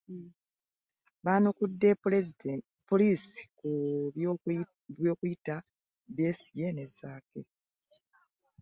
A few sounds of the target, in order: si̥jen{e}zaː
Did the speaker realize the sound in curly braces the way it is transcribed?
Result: yes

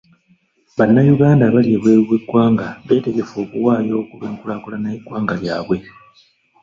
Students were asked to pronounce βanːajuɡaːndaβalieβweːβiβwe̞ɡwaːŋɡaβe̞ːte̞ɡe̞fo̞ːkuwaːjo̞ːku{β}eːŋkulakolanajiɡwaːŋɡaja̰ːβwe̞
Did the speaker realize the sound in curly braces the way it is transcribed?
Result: yes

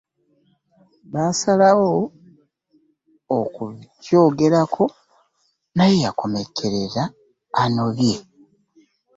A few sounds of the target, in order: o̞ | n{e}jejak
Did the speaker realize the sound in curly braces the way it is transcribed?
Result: no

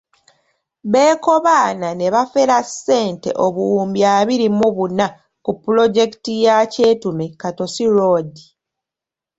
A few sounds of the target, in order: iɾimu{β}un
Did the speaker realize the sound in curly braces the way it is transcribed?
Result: yes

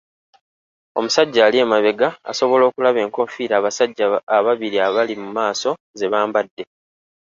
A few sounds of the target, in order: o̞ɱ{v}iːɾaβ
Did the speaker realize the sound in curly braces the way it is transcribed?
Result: no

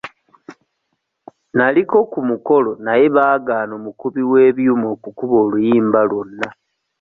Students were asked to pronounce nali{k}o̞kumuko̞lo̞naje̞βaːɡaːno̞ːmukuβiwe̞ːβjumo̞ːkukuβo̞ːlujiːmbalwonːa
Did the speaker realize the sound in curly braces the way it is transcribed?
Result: yes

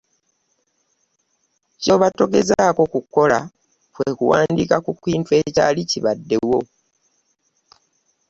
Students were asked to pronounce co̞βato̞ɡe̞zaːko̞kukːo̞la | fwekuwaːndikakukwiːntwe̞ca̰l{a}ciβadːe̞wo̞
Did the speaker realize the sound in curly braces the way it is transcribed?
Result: no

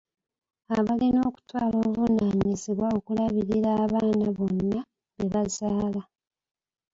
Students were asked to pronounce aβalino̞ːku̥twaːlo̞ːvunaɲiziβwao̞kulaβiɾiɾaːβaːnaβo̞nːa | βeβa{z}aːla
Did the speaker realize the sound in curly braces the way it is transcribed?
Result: yes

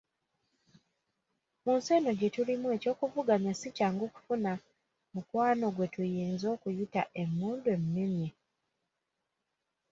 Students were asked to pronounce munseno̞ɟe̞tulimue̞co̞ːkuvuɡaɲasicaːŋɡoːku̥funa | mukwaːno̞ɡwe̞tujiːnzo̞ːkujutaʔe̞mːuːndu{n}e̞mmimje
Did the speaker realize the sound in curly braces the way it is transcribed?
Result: no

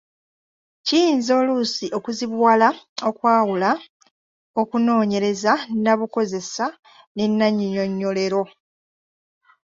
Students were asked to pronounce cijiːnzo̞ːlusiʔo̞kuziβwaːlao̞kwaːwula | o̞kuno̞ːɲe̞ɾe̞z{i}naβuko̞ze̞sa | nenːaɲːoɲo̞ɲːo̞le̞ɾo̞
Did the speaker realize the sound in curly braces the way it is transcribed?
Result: no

